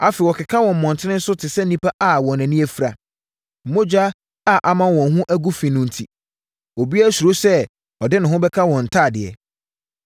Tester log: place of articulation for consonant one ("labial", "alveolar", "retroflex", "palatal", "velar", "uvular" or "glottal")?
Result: labial